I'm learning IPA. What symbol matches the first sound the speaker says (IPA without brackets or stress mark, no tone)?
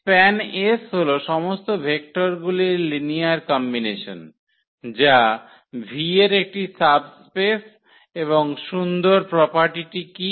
p